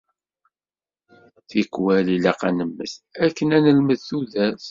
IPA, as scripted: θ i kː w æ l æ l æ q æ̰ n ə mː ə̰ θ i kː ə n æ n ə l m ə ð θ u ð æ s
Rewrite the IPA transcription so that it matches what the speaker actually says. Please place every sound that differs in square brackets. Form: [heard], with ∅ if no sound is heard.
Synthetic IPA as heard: θ i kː w æ l [i] l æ q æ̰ n ə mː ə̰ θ [æ] kː ə n æ n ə l m ə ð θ u ð æ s